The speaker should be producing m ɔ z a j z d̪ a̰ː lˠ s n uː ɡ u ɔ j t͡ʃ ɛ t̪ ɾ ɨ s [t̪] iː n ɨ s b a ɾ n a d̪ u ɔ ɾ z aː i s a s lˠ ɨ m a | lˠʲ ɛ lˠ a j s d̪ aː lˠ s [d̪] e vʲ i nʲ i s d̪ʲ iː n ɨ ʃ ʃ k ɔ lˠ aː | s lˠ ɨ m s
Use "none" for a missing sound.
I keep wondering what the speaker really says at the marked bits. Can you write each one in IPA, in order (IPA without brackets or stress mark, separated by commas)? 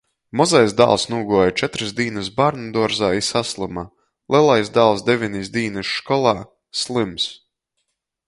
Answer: d̪, d̪